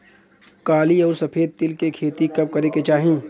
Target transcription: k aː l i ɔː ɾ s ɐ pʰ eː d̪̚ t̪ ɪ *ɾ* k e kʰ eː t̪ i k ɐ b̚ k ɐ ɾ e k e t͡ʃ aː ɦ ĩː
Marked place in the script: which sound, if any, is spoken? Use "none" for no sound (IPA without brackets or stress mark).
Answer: l